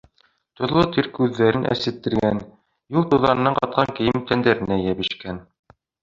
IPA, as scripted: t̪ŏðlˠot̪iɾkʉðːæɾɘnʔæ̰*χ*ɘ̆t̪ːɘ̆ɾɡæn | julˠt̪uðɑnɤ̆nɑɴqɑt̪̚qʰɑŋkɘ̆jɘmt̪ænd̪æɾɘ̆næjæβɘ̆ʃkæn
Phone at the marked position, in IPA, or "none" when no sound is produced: s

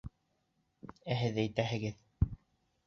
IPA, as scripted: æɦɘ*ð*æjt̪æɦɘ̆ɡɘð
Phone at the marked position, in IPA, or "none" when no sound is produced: ð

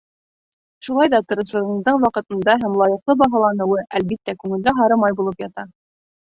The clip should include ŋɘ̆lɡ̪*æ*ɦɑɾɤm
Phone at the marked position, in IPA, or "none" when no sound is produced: æ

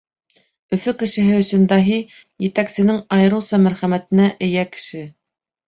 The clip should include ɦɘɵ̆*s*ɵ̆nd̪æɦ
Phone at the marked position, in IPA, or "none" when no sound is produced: s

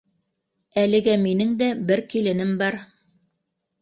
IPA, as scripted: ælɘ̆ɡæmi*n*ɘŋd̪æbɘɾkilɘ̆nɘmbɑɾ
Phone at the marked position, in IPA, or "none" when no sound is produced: n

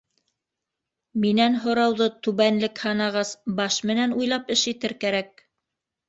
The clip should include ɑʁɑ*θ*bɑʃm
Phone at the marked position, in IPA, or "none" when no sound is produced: s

